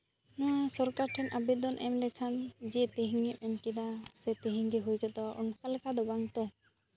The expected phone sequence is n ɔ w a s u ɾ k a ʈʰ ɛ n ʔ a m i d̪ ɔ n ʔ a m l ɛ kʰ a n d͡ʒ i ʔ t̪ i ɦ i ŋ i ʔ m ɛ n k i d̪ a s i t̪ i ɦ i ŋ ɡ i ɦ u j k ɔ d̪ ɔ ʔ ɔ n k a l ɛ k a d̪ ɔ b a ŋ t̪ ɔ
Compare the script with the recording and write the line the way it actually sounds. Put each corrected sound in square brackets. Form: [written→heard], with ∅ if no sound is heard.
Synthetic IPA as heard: n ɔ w a s [u→ɔ] ɾ k a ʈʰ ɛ n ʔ a [m→b] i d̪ ɔ n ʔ [a→ɛ] m l ɛ kʰ a n d͡ʒ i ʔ t̪ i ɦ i ŋ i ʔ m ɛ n k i d̪ a s [i→ɛ] t̪ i ɦ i ŋ ɡ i ɦ u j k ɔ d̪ ɔ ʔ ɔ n k a l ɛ k a d̪ ɔ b a ŋ t̪ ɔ